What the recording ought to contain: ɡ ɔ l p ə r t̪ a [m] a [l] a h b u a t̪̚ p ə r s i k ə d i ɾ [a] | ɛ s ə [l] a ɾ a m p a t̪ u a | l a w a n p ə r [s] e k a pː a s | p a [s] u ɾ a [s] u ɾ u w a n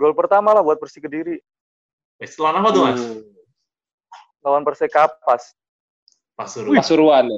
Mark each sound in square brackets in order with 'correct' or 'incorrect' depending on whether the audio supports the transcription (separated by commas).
correct, correct, incorrect, correct, correct, correct, correct